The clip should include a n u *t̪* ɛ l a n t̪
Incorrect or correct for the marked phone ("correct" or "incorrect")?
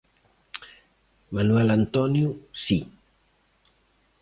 incorrect